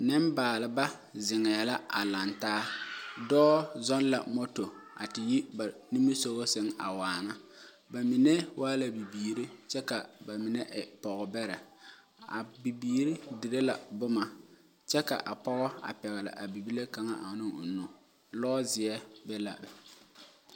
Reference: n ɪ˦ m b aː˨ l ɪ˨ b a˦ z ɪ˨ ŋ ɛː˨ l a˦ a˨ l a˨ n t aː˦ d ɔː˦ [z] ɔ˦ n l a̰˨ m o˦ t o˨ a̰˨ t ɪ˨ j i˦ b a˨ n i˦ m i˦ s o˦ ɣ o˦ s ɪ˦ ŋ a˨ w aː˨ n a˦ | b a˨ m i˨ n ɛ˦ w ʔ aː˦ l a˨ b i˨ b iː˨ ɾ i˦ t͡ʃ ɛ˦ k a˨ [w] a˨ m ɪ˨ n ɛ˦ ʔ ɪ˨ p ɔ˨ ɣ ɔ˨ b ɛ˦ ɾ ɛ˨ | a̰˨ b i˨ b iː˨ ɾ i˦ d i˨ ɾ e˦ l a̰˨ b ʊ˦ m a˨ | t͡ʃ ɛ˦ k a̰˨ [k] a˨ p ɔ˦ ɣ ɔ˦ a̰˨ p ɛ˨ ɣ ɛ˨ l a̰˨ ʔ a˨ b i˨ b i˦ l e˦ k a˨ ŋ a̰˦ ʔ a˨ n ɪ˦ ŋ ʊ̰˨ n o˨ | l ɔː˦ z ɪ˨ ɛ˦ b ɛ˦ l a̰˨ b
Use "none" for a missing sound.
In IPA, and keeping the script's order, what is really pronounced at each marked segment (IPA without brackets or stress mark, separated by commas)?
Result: z, b, ʔ